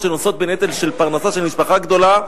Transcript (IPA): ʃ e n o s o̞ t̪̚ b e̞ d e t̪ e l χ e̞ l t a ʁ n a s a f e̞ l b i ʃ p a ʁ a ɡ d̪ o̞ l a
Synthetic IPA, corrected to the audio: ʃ e n o s o̞ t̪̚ b e̞ n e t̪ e l ʃ e̞ l p a ʁ n a s a ʃ e̞ l m i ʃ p a χ a ɡ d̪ o̞ l a